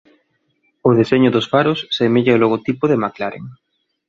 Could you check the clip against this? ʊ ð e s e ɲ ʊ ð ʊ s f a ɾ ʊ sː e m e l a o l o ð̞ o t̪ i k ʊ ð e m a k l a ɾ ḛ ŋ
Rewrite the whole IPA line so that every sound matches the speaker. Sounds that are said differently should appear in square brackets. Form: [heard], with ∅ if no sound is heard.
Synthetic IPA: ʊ ð e s e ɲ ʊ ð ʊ s f a ɾ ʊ sː e m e [ʎ] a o l o [ɣ̞] o t̪ i [p] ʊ ð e m a k l a ɾ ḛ ŋ